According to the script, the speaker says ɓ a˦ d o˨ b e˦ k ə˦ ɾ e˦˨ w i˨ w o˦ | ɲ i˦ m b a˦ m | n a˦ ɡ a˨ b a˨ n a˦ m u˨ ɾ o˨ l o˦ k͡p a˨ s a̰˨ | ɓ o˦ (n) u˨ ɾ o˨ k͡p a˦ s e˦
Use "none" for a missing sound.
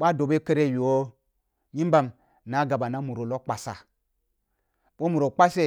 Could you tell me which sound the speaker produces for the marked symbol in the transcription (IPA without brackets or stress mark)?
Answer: m